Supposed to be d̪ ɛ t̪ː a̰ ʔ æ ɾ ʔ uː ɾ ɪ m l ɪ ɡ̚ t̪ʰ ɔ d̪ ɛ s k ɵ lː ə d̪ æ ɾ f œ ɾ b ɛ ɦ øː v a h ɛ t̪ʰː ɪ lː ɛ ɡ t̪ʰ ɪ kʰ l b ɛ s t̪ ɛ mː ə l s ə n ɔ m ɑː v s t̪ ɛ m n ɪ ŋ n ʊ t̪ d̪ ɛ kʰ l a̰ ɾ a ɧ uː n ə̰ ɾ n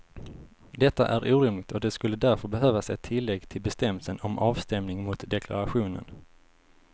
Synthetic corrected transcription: d̪ ɛ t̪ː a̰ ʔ æ ɾ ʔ uː ɾ ɪ m l ɪ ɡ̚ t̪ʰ ɔ d̪ ɛ s k ɵ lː ə d̪ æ ɾ f œ ɾ b ɛ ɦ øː v a s ɛ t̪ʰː ɪ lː ɛ ɡ t̪ʰ ɪ l b ɛ s t̪ ɛ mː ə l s ə n ɔ m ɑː v s t̪ ɛ m n ɪ ŋ m ʊ t̪ d̪ ɛ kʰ l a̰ ɾ a ɧ uː n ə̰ n